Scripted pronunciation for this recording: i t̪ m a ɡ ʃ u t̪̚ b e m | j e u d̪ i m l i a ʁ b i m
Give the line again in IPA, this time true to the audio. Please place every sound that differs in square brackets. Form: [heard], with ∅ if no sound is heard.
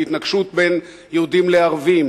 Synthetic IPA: i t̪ [n] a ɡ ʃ u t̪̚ b e [n] | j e u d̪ i m l [e] a ʁ [v] i m

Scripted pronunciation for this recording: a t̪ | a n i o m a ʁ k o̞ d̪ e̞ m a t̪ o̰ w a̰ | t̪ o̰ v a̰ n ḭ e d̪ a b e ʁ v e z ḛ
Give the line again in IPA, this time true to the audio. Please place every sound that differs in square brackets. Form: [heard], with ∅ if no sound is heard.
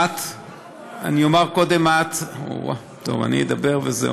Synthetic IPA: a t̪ | a n i o m a ʁ k o̞ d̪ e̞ m a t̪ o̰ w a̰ | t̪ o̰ v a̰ n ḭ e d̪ a b e ʁ v e z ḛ

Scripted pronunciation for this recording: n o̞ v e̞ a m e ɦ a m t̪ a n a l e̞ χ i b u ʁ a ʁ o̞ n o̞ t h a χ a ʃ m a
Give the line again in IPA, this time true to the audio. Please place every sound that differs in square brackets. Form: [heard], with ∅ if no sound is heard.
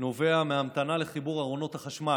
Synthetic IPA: n o̞ v e̞ a m e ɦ a m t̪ a n a l e̞ χ i b u ʁ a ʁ o̞ n o̞ t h a χ a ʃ m a

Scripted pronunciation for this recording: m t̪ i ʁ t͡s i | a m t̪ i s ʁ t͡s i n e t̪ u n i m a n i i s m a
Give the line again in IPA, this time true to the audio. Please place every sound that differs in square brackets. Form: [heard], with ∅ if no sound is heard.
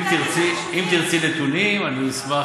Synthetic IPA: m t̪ i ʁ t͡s i | [i] m t̪ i [∅] ʁ t͡s i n e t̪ u n i m a n i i s m a

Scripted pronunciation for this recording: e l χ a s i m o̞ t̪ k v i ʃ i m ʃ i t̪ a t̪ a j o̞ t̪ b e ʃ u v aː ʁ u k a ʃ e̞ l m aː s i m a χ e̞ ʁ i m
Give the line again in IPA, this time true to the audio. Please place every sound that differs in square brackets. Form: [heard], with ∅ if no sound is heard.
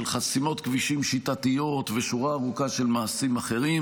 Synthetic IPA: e l χ a s i m o̞ t̪ k v i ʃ i m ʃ i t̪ a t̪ [i] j o̞ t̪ [v] e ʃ u [ʁ] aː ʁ u k a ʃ e̞ l m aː s i m a χ e̞ ʁ i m

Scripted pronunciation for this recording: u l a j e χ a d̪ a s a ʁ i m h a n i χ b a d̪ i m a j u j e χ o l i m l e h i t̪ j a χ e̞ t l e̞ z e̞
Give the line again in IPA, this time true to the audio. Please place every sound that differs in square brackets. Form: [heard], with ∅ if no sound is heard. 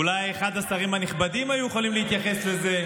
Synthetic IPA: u l a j e χ a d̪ a s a ʁ i m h a n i χ b a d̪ i m a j u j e χ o l i m l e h i t̪ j a χ e̞ [s] l e̞ z e̞

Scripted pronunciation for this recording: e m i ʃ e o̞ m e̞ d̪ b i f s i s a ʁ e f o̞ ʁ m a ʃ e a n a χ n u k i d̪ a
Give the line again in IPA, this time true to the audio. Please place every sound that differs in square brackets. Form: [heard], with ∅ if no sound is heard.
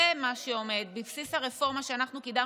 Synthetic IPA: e m [a] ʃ e o̞ m e̞ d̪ b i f s i s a ʁ e f o̞ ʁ m a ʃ e a n a χ n u k i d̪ a

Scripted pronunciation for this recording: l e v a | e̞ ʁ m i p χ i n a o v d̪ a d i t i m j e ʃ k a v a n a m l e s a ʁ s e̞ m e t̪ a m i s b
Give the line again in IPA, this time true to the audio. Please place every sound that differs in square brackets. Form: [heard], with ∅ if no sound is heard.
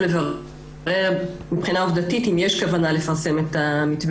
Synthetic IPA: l e v a | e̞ ʁ m i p χ i n a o v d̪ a [t] i t i m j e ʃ k a v a n a [∅] l e [f] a ʁ s e̞ m e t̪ a m i [t] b

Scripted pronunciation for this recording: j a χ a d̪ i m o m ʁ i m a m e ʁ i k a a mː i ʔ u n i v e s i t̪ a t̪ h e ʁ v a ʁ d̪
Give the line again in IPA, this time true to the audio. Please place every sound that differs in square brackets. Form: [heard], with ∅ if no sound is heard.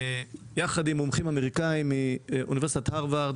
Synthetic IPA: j a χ a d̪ i m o m [χ] i m a m e ʁ i k a [i] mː i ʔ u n i v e s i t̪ a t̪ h [a] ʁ v a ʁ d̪

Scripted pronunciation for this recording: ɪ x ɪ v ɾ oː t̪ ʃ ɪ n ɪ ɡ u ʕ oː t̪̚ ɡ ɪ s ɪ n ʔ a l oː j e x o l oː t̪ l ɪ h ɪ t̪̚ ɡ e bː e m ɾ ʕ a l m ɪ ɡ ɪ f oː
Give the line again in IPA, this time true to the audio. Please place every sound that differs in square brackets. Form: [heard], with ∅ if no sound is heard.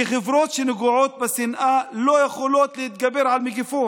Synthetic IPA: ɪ x ɪ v ɾ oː t̪ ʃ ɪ n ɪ ɡ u ʕ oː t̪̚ [b] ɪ s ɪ n ʔ a l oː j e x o l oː t̪ l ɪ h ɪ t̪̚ ɡ [a] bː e [∅] ɾ ʕ a l m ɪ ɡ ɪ f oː

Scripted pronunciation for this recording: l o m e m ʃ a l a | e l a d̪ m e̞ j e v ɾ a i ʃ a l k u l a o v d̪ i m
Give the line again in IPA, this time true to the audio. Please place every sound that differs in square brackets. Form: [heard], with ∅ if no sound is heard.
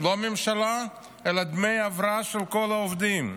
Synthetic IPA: l o m e m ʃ a l a | e l a d̪ m e̞ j [a] v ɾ a [a] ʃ [e] l k [o] l a o v d̪ i m

